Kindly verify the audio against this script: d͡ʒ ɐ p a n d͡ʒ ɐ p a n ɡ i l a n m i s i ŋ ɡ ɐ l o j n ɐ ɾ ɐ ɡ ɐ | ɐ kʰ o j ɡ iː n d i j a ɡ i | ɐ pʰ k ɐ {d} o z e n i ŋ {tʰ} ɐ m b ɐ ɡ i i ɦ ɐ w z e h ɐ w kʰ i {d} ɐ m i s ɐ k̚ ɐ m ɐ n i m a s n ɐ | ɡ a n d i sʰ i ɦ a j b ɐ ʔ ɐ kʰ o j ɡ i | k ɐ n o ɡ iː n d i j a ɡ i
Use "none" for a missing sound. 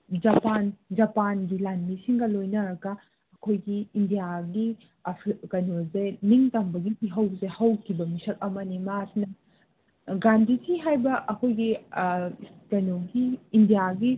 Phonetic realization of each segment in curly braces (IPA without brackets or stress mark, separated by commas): n, t, b